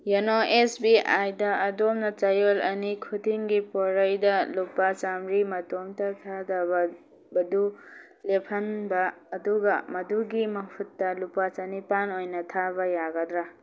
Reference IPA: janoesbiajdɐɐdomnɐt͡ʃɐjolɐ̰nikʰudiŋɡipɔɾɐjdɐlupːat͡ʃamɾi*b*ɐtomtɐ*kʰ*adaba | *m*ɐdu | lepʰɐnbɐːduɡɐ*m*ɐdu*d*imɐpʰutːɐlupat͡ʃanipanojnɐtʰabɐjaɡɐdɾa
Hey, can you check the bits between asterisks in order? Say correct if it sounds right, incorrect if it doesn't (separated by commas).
incorrect, incorrect, incorrect, correct, incorrect